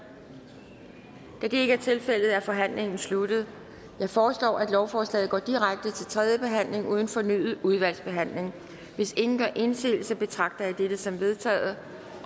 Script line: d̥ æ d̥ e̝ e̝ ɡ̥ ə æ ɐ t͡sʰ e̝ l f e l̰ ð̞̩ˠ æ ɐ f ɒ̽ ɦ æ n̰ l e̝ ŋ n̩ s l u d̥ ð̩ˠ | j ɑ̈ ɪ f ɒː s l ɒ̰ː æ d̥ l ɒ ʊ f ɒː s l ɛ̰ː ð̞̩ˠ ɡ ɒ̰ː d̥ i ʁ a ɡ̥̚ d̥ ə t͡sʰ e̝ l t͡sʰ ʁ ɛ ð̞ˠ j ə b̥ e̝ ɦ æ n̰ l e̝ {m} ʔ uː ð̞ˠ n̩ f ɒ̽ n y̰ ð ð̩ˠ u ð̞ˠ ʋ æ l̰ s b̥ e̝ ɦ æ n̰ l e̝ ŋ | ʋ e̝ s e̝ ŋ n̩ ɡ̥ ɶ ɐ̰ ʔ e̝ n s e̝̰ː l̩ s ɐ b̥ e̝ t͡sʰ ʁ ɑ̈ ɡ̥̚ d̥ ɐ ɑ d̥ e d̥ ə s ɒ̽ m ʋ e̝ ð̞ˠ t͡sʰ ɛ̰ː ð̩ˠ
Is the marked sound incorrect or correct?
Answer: incorrect